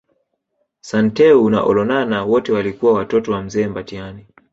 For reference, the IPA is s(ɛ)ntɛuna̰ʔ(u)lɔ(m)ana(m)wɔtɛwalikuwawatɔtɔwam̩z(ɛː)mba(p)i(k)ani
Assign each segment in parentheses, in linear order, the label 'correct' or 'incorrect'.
incorrect, incorrect, incorrect, incorrect, correct, incorrect, incorrect

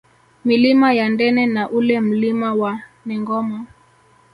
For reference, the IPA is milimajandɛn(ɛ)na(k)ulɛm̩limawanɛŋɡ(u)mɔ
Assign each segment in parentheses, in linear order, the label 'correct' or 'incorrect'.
correct, incorrect, incorrect

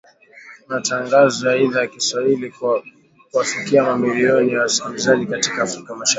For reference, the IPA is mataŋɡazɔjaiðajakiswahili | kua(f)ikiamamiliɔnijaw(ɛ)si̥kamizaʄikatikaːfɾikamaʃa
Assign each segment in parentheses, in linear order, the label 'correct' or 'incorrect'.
correct, incorrect

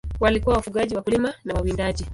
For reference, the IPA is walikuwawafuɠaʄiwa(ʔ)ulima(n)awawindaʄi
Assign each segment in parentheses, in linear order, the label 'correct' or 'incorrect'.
incorrect, correct

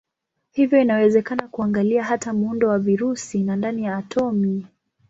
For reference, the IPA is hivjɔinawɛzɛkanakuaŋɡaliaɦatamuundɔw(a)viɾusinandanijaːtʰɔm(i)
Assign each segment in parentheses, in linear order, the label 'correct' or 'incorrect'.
correct, correct

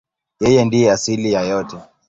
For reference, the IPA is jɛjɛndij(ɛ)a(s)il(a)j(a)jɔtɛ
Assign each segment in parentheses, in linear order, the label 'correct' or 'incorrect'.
correct, correct, incorrect, correct

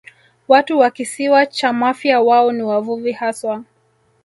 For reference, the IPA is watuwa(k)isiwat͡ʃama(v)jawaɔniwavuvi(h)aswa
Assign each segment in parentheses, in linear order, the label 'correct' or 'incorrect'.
correct, incorrect, correct

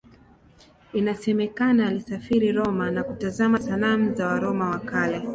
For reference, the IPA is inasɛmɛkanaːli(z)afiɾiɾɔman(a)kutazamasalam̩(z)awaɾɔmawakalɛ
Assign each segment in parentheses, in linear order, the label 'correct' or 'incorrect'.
incorrect, correct, correct

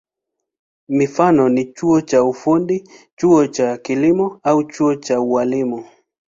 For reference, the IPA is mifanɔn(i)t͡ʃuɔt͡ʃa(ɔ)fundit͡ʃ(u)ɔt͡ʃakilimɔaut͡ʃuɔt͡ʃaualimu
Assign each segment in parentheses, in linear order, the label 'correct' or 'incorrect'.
correct, incorrect, correct

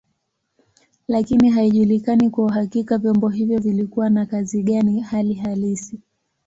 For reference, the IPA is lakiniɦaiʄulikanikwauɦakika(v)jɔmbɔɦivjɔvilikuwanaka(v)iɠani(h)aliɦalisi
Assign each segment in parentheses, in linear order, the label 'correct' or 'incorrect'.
correct, incorrect, correct

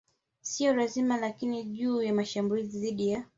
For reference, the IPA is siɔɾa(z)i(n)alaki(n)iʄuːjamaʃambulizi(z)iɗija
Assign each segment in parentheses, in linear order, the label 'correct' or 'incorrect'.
correct, incorrect, correct, incorrect

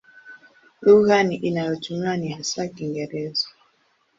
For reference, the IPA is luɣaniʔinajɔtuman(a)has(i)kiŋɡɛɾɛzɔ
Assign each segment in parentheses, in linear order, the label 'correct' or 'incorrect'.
incorrect, incorrect

